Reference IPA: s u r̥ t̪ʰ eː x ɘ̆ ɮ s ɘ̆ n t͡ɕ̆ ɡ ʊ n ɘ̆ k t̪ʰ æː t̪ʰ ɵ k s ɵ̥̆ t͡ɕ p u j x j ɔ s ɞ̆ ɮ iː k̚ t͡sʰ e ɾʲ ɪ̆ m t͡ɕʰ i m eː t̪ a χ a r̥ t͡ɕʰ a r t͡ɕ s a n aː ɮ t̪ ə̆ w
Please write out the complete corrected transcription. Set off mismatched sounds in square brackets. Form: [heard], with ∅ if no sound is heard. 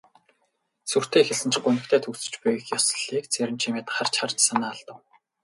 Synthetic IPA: s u r̥ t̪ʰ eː x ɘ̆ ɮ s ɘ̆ n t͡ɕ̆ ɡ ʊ n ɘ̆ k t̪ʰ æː t̪ʰ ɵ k s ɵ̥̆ t͡ɕ p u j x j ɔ s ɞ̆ ɮ iː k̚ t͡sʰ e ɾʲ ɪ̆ m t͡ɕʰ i m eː t̪ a χ a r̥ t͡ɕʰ a r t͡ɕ s a n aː ɮ t̪ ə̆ w